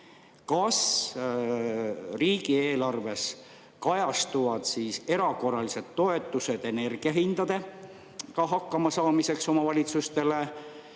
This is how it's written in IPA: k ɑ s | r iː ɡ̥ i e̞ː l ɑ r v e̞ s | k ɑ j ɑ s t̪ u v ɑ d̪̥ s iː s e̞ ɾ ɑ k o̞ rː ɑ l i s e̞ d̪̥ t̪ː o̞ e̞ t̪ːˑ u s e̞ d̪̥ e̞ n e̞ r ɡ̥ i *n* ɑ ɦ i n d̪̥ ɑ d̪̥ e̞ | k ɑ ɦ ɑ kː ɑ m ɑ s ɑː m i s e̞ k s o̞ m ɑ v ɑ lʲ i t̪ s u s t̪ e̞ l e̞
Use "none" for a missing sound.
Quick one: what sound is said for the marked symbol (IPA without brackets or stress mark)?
none